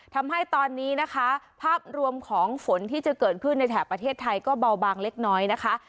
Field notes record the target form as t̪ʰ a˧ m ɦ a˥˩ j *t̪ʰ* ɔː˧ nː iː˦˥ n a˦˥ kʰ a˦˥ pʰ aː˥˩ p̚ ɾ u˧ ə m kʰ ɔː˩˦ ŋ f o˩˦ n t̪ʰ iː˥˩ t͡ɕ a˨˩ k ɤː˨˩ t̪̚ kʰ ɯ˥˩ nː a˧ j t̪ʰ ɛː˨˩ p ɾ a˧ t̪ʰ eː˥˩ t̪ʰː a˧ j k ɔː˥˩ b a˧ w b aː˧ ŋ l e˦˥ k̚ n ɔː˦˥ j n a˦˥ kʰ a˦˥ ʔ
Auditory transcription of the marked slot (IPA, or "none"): t̪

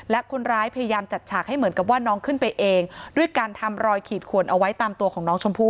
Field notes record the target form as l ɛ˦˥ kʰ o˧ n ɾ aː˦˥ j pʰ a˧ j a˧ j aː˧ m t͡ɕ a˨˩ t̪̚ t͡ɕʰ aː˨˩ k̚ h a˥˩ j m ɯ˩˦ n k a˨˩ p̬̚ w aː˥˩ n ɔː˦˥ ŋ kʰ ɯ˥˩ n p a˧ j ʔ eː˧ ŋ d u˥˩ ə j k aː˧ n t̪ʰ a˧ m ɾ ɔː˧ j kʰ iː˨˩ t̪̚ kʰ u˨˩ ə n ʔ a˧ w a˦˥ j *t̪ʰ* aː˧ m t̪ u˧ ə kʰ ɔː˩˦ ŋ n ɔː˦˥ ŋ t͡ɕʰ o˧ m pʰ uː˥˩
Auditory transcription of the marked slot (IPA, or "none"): t̪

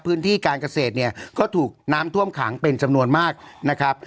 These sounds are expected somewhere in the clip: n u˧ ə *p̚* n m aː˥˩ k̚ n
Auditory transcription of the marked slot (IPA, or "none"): none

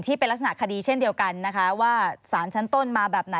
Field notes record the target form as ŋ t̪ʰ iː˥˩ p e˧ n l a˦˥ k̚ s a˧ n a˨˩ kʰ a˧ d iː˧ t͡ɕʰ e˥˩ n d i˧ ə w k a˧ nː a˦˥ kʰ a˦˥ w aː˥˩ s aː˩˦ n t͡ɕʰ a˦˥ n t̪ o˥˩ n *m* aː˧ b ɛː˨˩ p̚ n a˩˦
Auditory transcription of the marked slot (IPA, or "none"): m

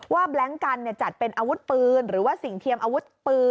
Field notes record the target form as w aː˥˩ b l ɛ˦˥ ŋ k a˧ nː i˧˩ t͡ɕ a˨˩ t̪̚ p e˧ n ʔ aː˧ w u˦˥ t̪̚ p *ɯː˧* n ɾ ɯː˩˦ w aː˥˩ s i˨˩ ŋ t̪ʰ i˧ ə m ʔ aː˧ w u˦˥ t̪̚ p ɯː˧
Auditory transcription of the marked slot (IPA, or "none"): ɯː˧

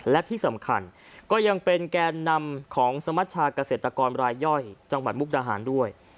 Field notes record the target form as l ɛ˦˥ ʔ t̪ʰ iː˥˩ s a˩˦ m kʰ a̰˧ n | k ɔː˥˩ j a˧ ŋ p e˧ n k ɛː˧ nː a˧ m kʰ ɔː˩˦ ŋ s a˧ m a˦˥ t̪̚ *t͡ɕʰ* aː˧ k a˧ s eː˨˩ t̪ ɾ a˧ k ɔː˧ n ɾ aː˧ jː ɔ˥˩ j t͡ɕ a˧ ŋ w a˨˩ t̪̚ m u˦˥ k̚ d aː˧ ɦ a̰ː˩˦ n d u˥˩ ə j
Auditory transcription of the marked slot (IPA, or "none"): t͡ɕʰ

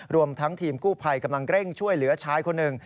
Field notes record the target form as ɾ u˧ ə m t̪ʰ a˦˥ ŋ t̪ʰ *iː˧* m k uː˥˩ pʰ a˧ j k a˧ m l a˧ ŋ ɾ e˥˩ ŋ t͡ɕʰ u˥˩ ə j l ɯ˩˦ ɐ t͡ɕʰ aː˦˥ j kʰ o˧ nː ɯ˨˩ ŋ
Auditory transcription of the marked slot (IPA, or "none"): iː˧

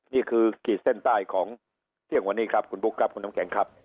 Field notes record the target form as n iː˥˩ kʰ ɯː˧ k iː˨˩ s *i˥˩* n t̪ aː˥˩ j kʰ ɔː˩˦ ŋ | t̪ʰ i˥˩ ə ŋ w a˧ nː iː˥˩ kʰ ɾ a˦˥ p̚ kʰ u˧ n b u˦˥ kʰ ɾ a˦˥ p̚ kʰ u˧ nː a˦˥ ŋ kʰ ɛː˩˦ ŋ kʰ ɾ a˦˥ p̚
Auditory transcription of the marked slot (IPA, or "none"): e˥˩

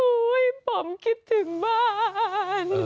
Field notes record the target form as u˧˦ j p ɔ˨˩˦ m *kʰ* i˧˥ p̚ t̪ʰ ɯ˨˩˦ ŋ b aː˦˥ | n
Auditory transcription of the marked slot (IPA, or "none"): k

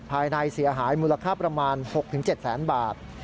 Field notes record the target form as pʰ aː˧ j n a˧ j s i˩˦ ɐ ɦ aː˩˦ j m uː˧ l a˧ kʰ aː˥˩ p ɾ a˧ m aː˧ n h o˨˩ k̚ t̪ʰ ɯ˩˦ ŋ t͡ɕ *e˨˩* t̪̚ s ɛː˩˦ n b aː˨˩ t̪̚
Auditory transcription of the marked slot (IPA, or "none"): e˨˩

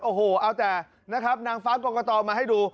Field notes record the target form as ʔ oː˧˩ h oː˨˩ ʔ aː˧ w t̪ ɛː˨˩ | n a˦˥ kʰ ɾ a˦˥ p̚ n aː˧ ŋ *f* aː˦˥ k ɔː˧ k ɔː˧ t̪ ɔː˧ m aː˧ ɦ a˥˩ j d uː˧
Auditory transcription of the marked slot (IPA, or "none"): f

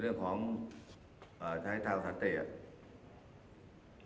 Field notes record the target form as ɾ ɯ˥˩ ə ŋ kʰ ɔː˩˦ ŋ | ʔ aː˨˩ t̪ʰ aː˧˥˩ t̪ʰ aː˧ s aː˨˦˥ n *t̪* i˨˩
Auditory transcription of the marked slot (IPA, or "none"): t̪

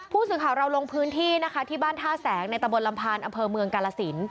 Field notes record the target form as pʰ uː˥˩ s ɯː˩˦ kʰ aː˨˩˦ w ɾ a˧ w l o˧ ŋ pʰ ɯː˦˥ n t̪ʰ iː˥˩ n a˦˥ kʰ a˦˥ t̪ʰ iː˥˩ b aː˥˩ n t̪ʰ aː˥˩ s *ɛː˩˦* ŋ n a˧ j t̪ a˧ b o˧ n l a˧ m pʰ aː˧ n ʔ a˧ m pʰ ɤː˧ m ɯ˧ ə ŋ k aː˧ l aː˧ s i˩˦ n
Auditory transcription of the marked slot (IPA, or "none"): ɛː˩˦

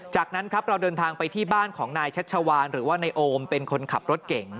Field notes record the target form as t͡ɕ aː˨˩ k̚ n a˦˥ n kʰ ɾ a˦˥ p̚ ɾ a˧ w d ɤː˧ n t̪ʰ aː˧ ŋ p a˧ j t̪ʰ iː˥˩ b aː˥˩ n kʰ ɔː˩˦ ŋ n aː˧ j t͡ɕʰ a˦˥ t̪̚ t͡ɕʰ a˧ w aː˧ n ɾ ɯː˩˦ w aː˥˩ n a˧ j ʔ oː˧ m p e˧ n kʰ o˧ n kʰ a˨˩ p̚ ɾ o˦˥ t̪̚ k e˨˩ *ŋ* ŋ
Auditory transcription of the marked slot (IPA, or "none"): ŋ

